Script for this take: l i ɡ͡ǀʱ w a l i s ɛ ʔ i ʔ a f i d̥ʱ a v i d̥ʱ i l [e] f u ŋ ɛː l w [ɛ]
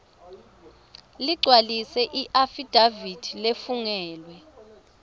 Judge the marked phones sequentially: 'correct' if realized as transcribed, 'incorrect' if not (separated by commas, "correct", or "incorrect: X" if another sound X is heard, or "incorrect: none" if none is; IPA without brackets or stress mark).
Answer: correct, correct